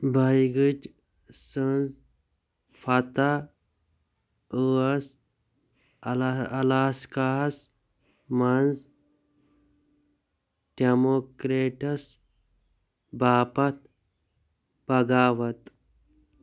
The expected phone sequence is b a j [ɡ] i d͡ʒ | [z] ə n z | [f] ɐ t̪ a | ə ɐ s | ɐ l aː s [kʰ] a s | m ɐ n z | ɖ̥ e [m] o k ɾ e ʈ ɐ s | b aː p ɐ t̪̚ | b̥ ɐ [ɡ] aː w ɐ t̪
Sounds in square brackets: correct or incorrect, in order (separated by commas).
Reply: correct, incorrect, correct, incorrect, correct, correct